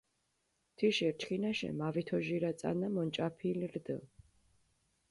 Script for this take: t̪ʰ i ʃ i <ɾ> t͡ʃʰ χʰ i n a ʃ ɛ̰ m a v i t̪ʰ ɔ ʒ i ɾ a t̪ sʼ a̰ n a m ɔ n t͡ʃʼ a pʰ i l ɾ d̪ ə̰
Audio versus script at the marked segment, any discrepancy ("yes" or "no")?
no